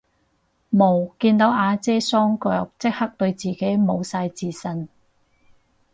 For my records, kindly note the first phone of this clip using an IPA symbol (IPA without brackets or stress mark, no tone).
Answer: m